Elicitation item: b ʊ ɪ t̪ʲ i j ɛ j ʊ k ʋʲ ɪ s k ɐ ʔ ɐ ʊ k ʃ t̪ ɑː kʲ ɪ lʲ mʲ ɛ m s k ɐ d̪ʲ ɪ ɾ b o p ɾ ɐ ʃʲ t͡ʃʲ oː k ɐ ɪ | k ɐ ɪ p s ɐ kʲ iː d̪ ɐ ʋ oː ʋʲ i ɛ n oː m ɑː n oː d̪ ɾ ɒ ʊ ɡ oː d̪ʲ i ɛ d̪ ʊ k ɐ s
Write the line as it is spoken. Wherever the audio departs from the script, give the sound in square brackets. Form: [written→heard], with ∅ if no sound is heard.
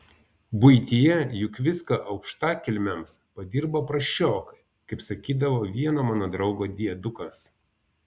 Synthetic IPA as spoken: b ʊ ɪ t̪ʲ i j ɛ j ʊ k ʋʲ ɪ s k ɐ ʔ ɐ ʊ k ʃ t̪ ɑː kʲ ɪ lʲ mʲ ɛ m s [k→p] ɐ d̪ʲ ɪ ɾ b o p ɾ ɐ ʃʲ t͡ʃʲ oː k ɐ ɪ | k ɐ ɪ p s ɐ kʲ iː d̪ ɐ ʋ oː ʋʲ i ɛ n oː m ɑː n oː d̪ ɾ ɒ ʊ ɡ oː d̪ʲ i ɛ d̪ ʊ k ɐ s